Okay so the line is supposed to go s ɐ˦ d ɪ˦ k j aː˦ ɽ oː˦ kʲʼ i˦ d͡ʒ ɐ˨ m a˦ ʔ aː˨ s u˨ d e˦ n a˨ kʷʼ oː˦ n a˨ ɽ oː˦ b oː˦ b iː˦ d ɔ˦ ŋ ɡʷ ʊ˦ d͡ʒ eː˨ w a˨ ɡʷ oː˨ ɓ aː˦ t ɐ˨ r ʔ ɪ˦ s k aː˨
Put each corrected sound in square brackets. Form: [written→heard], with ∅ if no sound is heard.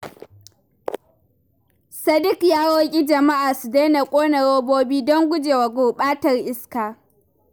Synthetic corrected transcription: s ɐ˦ d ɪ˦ k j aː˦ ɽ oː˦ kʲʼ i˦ d͡ʒ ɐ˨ m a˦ ʔ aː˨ s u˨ d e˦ n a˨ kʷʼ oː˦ n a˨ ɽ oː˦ b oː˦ b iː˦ d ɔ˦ ŋ ɡʷ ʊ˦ d͡ʒ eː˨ w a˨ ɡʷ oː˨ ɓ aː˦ t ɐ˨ r ʔ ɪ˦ s k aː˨